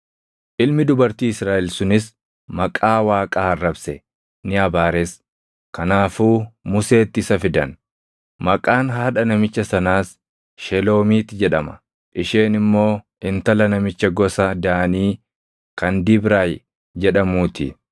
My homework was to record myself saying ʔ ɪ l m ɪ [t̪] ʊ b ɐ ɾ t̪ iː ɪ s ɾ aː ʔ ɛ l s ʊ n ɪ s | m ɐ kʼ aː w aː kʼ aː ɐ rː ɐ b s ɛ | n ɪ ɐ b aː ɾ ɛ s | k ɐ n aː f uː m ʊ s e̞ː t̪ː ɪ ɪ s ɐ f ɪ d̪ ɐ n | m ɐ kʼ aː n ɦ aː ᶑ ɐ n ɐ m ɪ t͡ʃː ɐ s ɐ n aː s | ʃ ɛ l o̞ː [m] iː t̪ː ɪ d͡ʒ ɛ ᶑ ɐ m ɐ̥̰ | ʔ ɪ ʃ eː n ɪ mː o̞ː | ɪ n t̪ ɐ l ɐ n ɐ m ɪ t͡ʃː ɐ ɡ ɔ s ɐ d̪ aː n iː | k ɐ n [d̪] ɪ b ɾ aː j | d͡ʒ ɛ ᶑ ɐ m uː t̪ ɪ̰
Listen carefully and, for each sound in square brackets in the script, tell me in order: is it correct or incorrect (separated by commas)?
incorrect, correct, correct